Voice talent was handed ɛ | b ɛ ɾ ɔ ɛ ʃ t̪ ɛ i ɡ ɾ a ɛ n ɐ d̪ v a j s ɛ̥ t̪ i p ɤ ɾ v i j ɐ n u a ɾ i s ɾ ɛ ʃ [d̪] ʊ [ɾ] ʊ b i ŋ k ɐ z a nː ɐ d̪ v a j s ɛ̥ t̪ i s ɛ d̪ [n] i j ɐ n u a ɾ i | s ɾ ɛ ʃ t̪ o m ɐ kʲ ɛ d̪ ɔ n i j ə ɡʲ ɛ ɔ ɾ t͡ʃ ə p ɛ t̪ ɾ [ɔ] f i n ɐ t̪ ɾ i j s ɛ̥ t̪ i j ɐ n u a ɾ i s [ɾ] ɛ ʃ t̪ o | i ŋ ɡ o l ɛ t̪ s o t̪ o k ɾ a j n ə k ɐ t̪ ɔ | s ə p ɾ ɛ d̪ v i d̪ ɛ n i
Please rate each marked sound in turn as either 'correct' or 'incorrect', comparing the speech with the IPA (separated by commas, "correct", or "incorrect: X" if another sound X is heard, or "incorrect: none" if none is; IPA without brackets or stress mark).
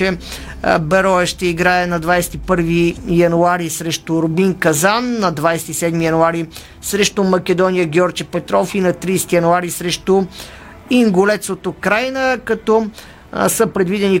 incorrect: t̪, correct, incorrect: m, correct, correct